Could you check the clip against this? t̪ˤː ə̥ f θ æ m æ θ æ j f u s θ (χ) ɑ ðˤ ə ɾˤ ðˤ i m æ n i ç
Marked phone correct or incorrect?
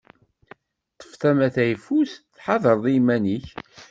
incorrect